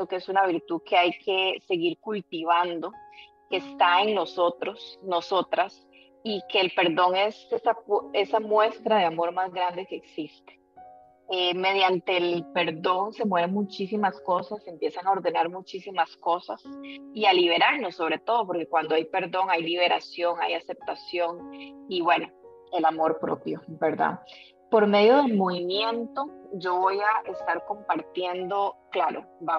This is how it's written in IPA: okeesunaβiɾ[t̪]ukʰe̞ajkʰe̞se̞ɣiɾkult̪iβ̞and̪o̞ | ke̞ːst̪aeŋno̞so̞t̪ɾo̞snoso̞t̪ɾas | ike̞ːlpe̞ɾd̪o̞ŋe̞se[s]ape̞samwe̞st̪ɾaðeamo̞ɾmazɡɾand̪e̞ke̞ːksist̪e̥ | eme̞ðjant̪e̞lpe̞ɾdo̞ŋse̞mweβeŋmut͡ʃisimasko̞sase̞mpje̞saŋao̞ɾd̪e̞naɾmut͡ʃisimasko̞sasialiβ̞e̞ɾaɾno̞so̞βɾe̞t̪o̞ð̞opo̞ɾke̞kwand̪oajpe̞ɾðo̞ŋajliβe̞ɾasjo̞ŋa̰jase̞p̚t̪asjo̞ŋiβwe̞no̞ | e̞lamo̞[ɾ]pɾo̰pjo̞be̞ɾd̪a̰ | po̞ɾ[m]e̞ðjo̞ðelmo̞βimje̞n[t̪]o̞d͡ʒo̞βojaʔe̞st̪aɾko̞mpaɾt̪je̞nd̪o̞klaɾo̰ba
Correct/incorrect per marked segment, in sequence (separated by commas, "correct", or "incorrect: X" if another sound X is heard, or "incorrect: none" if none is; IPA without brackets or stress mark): correct, correct, correct, correct, correct